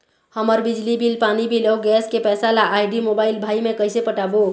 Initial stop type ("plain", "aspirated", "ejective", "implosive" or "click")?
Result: plain